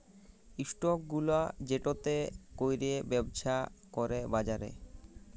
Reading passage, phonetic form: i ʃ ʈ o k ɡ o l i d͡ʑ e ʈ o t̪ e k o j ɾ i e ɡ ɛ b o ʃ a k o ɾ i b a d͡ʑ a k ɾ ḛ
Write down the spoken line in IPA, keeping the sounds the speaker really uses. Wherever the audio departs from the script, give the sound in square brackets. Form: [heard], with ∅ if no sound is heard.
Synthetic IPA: i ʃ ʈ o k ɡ [u] l [a] d͡ʑ e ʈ o t̪ e k o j ɾ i e [b] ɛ b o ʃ a k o ɾ [e] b a d͡ʑ a [∅] ɾ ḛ